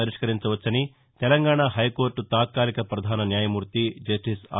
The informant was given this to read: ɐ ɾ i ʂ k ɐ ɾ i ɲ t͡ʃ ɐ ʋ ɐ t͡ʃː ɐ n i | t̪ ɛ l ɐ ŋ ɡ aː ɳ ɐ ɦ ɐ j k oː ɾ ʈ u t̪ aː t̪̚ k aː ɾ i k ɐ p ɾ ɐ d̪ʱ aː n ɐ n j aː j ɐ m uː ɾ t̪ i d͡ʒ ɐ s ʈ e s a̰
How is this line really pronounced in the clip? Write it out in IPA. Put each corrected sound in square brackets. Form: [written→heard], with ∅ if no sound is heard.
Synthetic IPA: ɐ ɾ i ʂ k ɐ ɾ i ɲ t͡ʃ ɐ ʋ ɐ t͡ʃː ɐ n i | t̪ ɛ l ɐ ŋ ɡ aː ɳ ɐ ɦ ɐ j k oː ɾ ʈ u t̪ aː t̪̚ k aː [ɾ→l] i k ɐ p ɾ ɐ d̪ʱ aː n ɐ n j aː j ɐ m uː ɾ t̪ i d͡ʒ ɐ s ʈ [e→i] s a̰